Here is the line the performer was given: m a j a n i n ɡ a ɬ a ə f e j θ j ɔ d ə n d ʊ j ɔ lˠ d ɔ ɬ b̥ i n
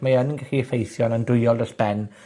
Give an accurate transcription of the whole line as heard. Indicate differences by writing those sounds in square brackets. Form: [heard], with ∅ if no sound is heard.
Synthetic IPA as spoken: m a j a n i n ɡ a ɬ [i] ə f e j θ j ɔ [n] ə n d ʊ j ɔ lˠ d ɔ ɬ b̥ [ɛ] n